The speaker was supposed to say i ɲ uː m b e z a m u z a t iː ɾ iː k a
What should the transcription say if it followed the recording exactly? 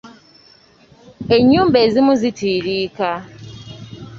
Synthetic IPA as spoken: e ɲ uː m b e z i m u z i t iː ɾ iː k a